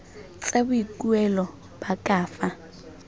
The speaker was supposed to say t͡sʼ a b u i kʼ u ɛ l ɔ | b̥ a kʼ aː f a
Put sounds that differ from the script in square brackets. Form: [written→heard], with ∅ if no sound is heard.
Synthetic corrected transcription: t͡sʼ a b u i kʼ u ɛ l ɔ | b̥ a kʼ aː f a